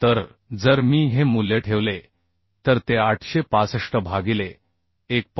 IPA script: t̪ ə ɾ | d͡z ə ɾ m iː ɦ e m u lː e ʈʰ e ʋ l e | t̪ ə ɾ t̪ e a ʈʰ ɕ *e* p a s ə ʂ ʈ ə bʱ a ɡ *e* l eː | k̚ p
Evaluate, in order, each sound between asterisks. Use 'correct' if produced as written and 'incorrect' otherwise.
correct, incorrect: i

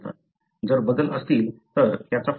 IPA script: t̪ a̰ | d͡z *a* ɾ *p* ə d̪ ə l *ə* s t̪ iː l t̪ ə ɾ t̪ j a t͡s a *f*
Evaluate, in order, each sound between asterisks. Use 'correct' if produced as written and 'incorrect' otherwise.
incorrect: ə, incorrect: b, correct, correct

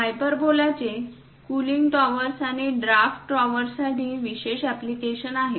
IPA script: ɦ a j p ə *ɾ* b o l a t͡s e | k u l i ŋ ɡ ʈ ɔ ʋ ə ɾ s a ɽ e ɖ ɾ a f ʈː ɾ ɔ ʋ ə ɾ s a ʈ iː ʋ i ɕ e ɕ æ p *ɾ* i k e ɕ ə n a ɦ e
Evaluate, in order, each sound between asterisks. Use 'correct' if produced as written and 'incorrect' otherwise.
correct, incorrect: l

